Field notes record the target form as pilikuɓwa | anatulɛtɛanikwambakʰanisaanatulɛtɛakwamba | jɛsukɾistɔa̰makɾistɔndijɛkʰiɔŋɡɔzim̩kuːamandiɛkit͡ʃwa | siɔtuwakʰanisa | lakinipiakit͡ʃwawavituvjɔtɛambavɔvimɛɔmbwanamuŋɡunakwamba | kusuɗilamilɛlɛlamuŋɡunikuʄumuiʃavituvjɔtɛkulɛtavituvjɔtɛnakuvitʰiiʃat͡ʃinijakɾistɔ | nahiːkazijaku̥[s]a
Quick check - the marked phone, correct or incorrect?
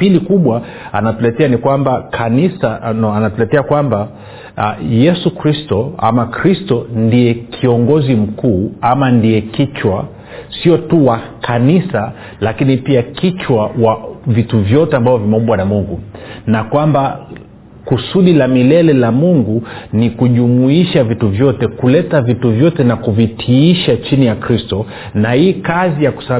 correct